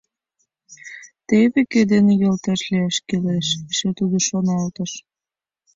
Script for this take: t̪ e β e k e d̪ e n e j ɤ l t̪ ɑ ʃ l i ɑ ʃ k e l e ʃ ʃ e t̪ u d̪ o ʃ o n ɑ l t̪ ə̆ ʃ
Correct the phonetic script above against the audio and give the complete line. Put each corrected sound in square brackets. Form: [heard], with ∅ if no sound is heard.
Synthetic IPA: t̪ e β e k e d̪ e n e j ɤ l t̪ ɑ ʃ l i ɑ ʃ k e l e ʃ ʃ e t̪ u d̪ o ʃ o n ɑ l t̪ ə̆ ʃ

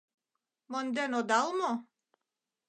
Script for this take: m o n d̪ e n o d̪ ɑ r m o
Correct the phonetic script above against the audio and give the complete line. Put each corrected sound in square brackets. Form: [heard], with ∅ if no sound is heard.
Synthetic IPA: m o n d̪ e n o d̪ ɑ [l] m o

